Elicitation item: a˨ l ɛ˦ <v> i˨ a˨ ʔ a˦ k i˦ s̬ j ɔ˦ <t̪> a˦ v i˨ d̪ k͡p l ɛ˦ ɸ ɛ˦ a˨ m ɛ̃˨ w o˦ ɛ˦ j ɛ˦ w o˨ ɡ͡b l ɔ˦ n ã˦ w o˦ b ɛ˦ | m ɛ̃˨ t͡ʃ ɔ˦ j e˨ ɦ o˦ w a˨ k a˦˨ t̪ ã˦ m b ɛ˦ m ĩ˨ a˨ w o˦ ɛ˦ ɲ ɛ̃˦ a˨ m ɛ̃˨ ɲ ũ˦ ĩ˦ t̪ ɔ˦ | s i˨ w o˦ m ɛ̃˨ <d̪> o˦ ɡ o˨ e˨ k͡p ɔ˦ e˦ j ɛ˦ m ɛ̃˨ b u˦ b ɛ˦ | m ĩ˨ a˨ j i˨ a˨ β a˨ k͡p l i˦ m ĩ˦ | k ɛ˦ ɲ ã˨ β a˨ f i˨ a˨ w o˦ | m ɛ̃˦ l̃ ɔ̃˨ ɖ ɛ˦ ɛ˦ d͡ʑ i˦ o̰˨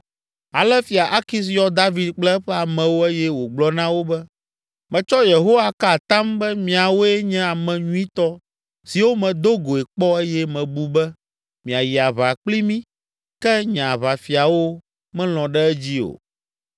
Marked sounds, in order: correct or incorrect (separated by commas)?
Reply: incorrect, incorrect, correct